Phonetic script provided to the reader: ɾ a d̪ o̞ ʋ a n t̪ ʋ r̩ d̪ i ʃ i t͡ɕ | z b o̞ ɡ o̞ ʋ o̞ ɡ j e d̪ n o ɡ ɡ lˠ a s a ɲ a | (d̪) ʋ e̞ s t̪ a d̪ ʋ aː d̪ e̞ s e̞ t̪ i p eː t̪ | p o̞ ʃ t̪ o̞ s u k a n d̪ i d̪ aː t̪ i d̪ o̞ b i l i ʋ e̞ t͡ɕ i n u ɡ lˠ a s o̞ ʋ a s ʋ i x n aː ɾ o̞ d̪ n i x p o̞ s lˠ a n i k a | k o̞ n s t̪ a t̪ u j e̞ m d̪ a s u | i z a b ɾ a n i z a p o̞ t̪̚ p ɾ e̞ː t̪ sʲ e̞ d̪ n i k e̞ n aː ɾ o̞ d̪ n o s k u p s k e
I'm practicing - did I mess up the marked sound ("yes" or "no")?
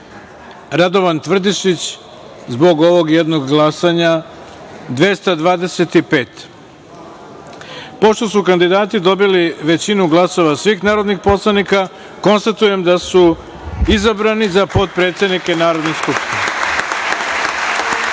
no